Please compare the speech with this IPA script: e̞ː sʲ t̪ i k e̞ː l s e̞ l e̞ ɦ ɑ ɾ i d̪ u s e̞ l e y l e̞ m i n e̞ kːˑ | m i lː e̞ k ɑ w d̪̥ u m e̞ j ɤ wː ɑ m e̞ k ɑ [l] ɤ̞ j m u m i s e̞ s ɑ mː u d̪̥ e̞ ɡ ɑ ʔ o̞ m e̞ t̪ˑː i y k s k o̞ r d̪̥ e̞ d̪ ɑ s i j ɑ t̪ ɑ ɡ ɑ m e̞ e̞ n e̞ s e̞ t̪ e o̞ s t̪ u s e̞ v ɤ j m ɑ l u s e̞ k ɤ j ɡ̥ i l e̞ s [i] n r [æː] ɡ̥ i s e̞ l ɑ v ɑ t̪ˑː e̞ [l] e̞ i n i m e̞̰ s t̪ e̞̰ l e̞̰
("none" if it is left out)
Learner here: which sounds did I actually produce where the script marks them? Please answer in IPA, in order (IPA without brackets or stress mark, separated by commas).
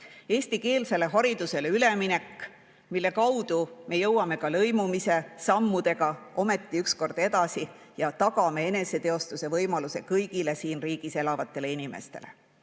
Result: l, iː, iː, l